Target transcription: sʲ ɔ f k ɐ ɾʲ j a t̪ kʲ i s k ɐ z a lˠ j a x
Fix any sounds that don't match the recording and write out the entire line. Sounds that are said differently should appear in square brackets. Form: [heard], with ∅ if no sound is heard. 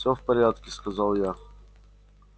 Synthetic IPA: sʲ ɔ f [p] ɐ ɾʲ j a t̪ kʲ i s k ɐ z a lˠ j a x